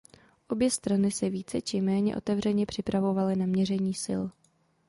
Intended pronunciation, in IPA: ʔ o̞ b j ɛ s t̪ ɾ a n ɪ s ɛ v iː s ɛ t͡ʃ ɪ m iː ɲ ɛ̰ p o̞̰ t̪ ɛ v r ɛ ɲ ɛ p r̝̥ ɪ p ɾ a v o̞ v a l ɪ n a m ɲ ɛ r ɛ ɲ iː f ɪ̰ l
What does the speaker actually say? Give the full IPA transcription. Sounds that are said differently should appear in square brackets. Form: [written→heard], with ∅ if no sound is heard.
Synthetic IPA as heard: ʔ o̞ b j ɛ s t̪ ɾ a n ɪ s ɛ v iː [s→t͡s] ɛ t͡ʃ ɪ m [iː→ɛː] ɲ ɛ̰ [p→ʔ] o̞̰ t̪ ɛ v r ɛ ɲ ɛ p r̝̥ ɪ p ɾ a v o̞ v a l ɪ n a m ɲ ɛ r ɛ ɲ iː [f→s] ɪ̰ l